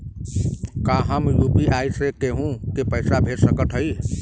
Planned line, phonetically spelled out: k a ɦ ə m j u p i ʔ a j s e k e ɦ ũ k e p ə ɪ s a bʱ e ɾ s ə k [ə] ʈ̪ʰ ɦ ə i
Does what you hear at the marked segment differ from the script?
no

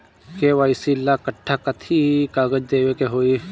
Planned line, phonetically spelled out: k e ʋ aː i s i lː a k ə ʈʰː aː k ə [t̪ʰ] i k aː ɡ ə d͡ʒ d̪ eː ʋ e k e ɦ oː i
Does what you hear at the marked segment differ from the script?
no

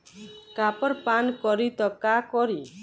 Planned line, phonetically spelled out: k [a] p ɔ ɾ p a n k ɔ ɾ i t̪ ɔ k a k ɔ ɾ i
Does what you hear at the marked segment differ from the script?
no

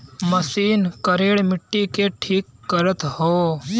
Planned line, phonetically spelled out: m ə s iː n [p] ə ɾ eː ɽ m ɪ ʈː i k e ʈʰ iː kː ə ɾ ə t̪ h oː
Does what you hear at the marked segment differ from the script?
yes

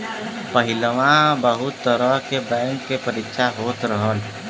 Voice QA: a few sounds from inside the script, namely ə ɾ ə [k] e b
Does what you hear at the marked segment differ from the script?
no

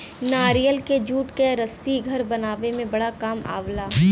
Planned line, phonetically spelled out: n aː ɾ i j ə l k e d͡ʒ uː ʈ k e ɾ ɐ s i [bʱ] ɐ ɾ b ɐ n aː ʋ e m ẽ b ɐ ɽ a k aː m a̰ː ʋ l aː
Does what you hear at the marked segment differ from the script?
yes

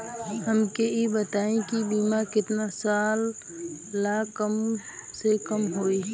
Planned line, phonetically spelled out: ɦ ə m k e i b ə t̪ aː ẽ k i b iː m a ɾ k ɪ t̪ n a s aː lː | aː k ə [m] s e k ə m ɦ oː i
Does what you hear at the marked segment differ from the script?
no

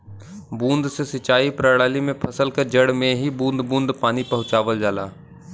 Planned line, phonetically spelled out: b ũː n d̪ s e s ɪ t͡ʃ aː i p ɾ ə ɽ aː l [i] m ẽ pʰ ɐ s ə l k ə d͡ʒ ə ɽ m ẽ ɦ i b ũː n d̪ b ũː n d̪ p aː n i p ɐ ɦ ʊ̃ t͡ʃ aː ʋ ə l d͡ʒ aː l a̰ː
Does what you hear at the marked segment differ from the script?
no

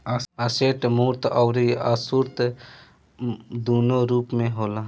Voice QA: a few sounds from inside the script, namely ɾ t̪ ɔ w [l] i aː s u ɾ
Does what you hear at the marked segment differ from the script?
yes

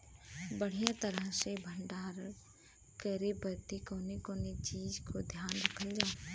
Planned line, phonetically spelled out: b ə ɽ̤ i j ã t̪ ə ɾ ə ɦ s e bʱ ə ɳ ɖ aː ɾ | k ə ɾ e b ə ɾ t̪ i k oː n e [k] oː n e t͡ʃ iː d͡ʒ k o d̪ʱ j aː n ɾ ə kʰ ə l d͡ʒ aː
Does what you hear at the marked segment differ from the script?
no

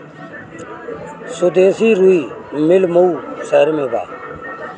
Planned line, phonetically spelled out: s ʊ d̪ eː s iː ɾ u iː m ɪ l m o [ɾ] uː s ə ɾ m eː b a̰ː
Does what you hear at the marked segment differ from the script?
yes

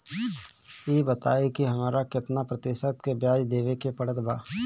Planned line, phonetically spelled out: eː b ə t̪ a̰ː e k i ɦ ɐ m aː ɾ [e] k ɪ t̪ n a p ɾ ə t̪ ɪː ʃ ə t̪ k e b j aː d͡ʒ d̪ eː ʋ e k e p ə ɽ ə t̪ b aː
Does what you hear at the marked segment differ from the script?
yes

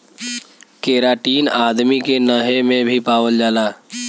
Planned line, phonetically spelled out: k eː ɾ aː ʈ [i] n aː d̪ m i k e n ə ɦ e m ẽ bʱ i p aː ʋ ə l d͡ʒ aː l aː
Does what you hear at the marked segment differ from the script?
yes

